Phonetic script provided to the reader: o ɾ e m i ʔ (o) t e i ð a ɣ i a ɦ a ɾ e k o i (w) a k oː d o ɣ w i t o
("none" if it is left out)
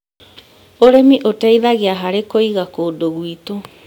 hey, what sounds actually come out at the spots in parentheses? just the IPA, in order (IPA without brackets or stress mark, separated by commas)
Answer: o, ɣ